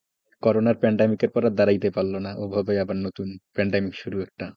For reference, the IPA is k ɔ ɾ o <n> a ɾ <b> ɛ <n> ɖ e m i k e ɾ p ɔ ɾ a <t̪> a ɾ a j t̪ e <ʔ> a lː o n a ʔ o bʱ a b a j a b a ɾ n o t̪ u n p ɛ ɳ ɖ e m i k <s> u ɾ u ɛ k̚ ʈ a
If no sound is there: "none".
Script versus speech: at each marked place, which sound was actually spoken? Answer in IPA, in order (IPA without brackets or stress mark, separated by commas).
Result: n, p, ɳ, d̪, p, ʃ